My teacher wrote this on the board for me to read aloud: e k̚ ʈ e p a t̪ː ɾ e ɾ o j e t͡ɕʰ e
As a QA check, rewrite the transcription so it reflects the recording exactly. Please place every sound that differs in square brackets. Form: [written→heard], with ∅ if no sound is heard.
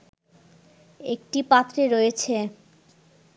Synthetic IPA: e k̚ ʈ [e→i] p a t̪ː ɾ e ɾ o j e t͡ɕʰ e